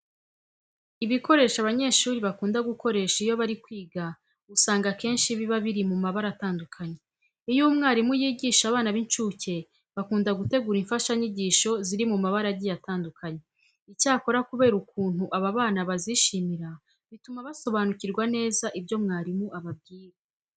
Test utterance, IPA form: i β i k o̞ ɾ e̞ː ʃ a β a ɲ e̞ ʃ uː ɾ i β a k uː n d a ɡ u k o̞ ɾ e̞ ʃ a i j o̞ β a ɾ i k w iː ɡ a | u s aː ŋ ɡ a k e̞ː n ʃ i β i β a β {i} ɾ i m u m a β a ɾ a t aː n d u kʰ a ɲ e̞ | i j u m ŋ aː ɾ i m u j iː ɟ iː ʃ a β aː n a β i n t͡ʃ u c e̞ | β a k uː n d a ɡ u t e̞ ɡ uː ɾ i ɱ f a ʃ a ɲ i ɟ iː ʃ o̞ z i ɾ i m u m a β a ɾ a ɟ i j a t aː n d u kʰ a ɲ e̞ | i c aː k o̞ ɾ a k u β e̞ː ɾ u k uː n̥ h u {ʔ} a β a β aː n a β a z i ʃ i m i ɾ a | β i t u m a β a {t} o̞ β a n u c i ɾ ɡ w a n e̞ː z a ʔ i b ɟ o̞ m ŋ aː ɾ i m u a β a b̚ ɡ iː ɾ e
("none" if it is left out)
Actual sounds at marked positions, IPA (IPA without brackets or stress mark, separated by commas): i, ʔ, s